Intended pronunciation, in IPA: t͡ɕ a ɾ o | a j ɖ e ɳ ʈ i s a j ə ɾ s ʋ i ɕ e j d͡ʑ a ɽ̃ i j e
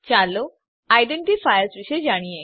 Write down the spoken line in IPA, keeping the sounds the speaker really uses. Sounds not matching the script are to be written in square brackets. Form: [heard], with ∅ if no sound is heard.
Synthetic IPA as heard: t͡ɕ a [l] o | a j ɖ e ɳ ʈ i [f] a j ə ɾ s ʋ i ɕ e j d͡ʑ a ɽ̃ i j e